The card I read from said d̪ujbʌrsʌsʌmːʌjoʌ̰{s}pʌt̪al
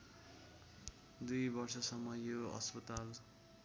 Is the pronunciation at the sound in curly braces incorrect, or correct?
correct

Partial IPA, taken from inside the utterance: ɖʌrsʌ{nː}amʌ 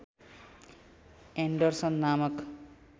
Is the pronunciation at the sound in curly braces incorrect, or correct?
correct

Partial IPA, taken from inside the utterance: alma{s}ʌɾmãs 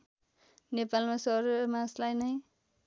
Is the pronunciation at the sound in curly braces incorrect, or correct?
correct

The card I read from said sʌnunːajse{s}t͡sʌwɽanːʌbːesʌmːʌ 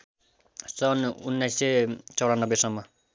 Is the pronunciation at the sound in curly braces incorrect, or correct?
incorrect: none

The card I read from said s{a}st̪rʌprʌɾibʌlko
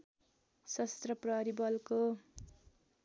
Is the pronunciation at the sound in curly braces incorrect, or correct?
incorrect: ʌ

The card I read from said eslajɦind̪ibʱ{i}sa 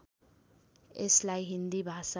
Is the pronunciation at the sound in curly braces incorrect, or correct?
incorrect: a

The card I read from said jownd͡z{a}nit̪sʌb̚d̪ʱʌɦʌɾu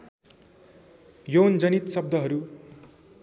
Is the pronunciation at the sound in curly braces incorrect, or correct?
incorrect: ʌ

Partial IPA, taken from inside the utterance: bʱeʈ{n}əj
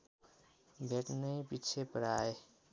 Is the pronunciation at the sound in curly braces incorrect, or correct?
correct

